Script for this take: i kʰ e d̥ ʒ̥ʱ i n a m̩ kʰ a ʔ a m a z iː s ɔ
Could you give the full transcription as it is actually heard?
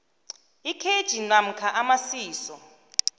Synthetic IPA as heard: i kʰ e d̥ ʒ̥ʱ i n a m̩ kʰ a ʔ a m a s iː s ɔ